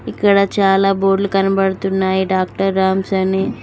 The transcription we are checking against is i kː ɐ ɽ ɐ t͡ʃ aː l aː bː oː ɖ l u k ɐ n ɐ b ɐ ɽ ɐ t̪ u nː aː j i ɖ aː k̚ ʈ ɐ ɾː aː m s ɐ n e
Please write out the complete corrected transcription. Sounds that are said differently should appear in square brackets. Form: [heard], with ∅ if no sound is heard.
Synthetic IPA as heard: i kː ɐ ɽ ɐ t͡ʃ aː l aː [b] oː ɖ l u k ɐ n ɐ b ɐ ɽ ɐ t̪ u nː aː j i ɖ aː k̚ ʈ ɐ ɾː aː m s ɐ n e